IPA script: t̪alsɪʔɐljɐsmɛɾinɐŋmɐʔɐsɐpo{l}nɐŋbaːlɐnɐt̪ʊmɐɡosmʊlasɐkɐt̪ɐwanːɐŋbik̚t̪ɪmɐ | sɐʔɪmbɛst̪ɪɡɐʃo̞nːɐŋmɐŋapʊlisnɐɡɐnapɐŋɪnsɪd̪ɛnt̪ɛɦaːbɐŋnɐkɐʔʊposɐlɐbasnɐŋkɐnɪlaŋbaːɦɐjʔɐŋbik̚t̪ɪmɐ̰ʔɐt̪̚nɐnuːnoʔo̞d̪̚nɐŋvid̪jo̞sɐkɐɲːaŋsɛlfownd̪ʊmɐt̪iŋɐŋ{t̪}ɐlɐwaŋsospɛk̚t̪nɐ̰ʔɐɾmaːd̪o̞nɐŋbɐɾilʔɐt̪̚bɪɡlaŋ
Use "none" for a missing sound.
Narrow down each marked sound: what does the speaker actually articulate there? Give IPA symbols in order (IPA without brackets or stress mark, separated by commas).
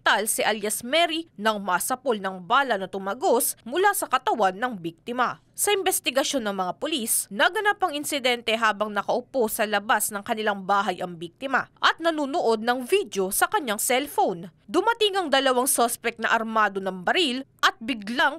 l, d̪